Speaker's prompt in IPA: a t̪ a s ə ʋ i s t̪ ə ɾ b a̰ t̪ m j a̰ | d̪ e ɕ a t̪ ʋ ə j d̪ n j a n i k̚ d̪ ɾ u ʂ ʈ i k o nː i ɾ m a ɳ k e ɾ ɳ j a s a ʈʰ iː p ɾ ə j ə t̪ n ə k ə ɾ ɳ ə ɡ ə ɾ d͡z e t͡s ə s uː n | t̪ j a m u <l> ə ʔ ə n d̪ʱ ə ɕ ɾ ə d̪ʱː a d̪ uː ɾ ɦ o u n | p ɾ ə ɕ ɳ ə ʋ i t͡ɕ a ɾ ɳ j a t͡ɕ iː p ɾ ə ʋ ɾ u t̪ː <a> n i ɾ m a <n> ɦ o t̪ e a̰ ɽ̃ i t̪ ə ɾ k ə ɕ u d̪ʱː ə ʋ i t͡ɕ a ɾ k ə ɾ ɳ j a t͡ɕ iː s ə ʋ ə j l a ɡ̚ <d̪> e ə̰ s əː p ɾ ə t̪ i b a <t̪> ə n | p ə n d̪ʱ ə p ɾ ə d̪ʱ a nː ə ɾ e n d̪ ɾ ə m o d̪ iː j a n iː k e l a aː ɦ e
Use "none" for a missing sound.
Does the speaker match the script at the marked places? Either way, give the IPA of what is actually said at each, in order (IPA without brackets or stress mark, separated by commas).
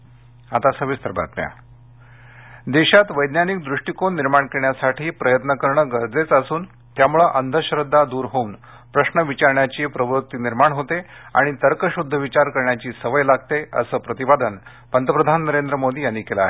ɭ, i, ɳ, t̪, d̪